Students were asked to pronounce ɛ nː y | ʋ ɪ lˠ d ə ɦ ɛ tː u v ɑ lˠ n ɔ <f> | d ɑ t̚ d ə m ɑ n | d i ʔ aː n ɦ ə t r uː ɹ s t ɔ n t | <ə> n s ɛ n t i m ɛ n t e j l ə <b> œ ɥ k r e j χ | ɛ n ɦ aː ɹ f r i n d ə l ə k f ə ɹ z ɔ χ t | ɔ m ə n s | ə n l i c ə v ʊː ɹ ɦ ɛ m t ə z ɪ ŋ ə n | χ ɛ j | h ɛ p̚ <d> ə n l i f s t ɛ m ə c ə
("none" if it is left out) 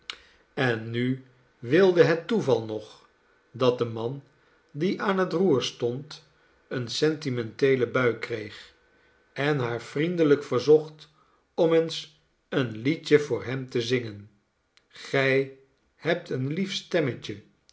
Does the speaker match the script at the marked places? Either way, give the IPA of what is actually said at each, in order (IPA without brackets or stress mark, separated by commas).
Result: χ, ə, b, t